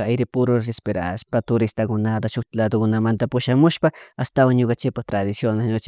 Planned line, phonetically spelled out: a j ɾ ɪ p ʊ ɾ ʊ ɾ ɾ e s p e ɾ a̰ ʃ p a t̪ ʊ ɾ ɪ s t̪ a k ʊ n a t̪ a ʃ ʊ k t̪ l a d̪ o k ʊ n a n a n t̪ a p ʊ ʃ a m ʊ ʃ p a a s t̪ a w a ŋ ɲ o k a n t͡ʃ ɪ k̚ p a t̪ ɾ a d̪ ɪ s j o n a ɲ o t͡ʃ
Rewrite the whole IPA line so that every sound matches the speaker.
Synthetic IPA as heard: a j ɾ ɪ p ʊ ɾ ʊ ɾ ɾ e s p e ɾ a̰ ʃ p a t̪ ʊ ɾ ɪ s t̪ a k ʊ n a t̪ a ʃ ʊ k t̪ l a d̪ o k ʊ n a m a n t̪ a p ʊ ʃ a m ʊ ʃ p a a s t̪ a w a ŋ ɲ o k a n t͡ʃ ɪ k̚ p a t̪ ɾ a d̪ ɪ s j o n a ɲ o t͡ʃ